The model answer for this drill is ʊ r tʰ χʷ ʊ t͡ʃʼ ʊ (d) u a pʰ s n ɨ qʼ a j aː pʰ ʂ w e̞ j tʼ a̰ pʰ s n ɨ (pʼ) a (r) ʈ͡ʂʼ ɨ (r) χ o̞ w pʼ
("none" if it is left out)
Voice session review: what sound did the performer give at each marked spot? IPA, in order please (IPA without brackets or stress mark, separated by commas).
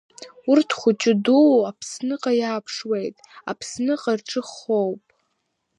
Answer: d, qʼ, r, none